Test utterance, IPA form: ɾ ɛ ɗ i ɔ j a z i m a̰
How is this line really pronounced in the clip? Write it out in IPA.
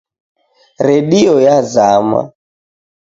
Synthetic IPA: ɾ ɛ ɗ i ɔ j a z a m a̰

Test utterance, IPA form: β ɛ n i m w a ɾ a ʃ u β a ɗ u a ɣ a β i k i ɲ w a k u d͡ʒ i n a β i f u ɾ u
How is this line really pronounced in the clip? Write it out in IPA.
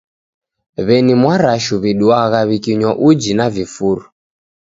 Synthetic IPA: β ɛ n i m w a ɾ a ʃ u β i ɗ u a ɣ a β i k i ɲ w a ʔ u d͡ʒ i n a v i f u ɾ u

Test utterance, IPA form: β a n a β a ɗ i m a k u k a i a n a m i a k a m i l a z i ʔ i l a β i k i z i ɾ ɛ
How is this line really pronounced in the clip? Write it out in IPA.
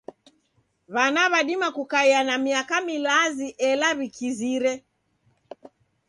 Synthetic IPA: β a n a β a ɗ i m a k u k a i a n a m i a k a m i l a z i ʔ ɛ l a β i k i z i ɾ ɛ

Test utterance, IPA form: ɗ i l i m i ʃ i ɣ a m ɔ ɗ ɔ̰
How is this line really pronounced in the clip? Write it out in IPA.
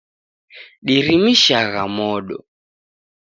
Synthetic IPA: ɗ i ɾ i m i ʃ a ɣ a m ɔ ɗ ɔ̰

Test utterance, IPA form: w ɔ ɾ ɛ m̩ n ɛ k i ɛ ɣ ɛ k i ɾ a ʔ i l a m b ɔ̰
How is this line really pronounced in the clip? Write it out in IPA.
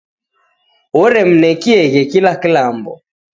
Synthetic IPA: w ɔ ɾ ɛ m̩ n ɛ k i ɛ ɣ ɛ k i l a k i l a m b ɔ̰

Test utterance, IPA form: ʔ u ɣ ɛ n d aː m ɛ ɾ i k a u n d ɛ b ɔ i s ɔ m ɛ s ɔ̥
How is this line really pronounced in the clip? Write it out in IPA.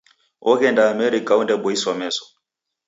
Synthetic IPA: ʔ ɔ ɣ ɛ n d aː m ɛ ɾ i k a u n d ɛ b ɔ i s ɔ m ɛ s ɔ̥

